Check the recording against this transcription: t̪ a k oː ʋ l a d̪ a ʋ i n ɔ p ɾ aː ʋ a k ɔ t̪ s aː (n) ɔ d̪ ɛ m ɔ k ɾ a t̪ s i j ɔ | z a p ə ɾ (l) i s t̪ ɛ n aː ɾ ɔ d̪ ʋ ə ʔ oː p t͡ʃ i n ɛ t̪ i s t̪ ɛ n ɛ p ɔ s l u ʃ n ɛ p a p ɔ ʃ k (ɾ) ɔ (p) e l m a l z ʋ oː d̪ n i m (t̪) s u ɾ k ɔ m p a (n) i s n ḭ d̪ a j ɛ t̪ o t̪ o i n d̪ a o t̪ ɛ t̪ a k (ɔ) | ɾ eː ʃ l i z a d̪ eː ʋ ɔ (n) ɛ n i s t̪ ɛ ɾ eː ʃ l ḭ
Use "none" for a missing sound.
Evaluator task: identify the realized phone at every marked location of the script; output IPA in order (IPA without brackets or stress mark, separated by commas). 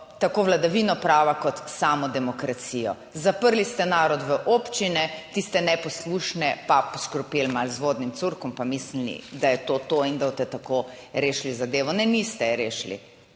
m, l, ɾ, p, t̪, m, o, n